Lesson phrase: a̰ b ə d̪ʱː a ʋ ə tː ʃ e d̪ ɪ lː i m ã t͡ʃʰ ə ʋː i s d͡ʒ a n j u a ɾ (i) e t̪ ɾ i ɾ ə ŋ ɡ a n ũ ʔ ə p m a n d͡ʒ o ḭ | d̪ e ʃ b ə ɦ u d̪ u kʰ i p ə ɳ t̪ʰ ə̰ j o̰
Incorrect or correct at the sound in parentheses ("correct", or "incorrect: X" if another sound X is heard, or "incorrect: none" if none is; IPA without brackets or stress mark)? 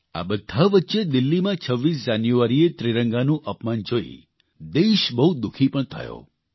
correct